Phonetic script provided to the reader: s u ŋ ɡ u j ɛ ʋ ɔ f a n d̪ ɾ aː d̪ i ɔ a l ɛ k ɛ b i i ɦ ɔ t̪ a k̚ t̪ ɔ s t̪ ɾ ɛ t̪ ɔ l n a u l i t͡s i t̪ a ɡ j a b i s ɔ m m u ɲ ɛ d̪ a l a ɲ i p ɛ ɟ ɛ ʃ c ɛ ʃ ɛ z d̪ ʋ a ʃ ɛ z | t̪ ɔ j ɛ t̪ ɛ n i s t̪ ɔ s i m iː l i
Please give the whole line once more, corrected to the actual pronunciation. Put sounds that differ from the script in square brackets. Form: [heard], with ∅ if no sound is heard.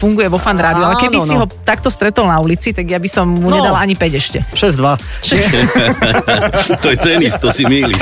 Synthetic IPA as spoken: [f] u ŋ ɡ u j ɛ ʋ ɔ f a n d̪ ɾ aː d̪ i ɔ a l ɛ k ɛ b i i ɦ ɔ t̪ a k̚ t̪ ɔ s t̪ ɾ ɛ t̪ ɔ l n a u l i t͡s i t̪ a ɡ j a b i s ɔ m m u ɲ ɛ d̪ a l a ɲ i p ɛ ɟ ɛ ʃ c ɛ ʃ ɛ z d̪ ʋ a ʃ ɛ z | t̪ ɔ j ɛ t̪ ɛ n i s t̪ ɔ s i m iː l i